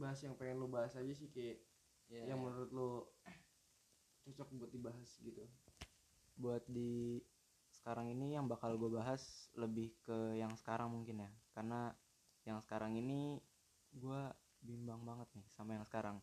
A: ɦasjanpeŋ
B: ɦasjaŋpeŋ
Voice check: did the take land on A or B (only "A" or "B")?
B